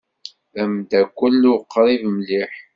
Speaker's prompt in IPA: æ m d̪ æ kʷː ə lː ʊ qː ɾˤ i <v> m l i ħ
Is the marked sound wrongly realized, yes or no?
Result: no